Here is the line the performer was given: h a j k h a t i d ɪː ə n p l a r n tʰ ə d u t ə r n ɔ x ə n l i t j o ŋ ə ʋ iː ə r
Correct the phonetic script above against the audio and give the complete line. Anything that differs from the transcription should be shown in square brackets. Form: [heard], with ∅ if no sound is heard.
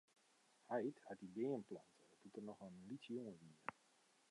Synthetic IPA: h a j [t] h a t i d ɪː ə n p l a [∅] n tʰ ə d u t ə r n ɔ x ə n l i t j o ŋ ə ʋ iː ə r